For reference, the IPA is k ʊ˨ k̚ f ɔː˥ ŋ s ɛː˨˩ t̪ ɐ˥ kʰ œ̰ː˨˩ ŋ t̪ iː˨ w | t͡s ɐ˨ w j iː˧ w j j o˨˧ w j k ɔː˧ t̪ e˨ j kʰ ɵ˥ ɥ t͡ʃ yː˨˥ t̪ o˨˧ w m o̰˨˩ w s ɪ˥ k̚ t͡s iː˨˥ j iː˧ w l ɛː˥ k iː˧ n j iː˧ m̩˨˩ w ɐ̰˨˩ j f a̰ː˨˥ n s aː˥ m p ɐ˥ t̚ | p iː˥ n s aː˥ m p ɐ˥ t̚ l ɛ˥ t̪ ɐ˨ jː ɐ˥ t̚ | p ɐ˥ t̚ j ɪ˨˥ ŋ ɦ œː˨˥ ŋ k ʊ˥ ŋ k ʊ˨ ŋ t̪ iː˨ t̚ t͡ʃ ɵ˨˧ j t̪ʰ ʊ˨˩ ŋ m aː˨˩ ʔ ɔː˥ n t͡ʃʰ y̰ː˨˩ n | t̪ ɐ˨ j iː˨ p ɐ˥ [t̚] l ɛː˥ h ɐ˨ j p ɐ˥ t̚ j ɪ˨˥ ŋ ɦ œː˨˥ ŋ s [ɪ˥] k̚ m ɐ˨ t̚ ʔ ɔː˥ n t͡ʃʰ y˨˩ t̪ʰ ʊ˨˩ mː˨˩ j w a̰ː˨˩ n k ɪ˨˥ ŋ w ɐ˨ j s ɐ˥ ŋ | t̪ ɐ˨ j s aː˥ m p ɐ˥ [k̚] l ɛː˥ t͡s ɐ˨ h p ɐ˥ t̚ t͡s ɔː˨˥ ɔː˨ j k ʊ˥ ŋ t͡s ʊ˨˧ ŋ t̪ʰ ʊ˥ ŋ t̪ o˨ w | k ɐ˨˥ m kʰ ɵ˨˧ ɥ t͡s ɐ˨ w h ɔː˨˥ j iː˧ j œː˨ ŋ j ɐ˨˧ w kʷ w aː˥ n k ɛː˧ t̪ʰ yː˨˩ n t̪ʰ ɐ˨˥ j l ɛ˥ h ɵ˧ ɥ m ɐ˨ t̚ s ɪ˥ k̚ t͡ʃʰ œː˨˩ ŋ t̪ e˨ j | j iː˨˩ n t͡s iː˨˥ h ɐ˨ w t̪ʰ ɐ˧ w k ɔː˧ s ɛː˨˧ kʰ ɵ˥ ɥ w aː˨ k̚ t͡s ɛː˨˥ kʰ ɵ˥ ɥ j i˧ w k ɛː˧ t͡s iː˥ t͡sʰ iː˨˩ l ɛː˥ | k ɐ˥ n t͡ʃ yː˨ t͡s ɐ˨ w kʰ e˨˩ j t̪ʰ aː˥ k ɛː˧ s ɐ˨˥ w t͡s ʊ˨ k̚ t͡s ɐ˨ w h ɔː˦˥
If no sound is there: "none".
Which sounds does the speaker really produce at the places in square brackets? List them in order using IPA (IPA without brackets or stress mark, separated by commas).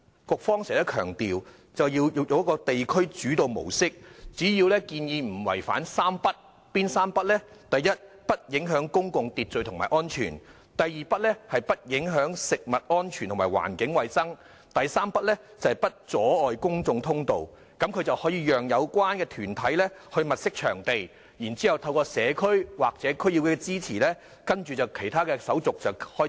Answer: t̚, ɪ˨, t̚